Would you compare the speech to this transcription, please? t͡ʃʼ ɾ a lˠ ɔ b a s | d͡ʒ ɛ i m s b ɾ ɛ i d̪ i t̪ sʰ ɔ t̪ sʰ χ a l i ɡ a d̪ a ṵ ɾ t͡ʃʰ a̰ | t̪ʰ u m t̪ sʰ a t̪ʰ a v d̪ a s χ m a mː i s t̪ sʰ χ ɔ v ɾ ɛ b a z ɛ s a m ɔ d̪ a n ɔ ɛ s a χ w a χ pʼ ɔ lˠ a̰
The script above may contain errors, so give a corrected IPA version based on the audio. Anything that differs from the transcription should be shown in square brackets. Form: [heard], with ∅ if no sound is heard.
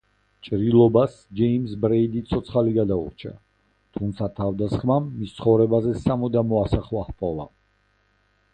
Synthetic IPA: t͡ʃʼ ɾ [i] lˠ ɔ b a s | d͡ʒ ɛ i m s b ɾ ɛ i d̪ i t̪ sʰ ɔ t̪ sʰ χ a l i ɡ a d̪ a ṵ ɾ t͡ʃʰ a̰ | t̪ʰ u m t̪ sʰ a t̪ʰ a v d̪ a s χ m a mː i s t̪ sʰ χ ɔ v ɾ ɛ b a z ɛ s a m ɔ d̪ a [m] ɔ [a] s a χ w a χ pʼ ɔ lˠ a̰